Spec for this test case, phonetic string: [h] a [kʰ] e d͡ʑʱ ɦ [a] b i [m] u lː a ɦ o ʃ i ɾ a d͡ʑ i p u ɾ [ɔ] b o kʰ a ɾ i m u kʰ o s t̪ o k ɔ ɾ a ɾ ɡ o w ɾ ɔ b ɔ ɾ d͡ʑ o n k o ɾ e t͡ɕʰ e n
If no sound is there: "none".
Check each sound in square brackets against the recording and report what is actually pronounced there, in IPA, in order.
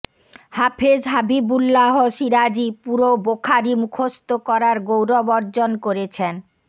h, pʰ, a, b, o

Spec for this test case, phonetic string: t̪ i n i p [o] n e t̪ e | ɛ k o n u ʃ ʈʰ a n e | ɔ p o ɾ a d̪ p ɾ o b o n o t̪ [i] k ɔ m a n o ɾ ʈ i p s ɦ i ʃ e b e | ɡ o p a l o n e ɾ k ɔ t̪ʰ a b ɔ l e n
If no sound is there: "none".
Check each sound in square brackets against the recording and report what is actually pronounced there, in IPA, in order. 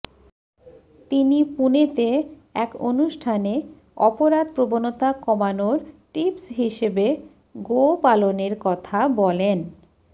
u, a

